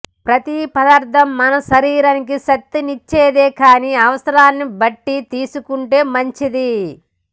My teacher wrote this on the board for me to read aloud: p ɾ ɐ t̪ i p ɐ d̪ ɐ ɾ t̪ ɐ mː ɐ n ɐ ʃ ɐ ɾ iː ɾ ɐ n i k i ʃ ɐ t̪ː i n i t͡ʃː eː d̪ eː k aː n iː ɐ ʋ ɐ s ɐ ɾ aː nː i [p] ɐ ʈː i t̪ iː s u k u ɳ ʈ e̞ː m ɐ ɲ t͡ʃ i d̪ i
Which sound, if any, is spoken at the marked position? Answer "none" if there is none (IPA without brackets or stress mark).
b